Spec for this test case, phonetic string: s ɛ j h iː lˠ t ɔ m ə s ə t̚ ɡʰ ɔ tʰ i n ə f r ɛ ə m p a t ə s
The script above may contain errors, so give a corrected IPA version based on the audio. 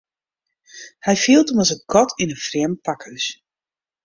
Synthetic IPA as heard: h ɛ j f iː lˠ t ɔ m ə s ə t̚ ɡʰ ɔ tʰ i n ə f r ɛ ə m p a k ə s